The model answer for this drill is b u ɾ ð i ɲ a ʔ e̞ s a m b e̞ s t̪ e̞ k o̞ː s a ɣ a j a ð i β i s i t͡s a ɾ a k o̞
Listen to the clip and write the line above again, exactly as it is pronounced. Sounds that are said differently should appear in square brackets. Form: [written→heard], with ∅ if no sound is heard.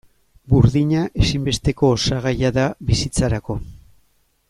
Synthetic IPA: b u ɾ ð i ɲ a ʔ e̞ s [a→i] m b e̞ s t̪ e̞ k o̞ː s a ɣ a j a ð [i→a] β i s i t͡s a ɾ a k o̞